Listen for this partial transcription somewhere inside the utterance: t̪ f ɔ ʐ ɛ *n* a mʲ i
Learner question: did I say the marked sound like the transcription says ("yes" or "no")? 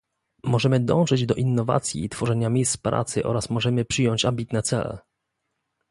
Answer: no